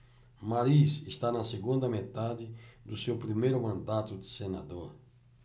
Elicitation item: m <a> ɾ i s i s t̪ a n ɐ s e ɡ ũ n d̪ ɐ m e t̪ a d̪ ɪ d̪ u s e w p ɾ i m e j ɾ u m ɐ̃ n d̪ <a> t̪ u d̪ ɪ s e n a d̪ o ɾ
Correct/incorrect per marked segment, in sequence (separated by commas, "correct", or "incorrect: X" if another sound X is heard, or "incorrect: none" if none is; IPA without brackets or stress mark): correct, correct